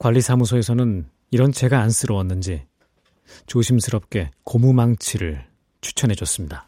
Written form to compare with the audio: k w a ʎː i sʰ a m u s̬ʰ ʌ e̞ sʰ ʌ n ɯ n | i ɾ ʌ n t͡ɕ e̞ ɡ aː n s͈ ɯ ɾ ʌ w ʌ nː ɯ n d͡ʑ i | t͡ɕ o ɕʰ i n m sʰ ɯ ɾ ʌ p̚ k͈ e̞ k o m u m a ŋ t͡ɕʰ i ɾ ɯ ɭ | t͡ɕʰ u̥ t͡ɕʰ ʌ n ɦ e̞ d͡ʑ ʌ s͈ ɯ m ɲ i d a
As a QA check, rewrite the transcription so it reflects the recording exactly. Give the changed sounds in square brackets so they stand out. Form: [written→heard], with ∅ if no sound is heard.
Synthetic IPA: k w a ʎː i sʰ a m u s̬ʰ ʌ e̞ sʰ ʌ n ɯ n | i ɾ ʌ n t͡ɕ e̞ ɡ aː n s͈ ɯ ɾ ʌ w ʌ nː ɯ n d͡ʑ i | t͡ɕ o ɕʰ i [n→∅] m sʰ ɯ ɾ ʌ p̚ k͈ e̞ k o m u m a ŋ t͡ɕʰ i ɾ ɯ ɭ | t͡ɕʰ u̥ t͡ɕʰ ʌ n ɦ e̞ d͡ʑ ʌ s͈ ɯ m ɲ i d a